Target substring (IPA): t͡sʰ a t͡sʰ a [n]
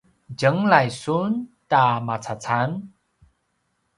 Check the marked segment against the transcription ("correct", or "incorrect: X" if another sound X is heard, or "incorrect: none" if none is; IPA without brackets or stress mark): correct